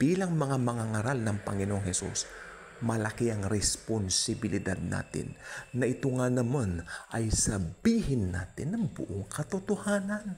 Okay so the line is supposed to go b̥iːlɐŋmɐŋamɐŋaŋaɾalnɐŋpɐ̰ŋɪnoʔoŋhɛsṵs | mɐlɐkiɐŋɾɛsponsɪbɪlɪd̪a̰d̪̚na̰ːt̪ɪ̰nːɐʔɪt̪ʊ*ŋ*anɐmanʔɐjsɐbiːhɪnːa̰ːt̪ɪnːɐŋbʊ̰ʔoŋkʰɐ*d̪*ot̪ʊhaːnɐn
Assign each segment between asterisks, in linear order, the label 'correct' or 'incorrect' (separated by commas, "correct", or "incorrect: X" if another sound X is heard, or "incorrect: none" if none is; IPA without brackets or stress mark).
correct, incorrect: t̪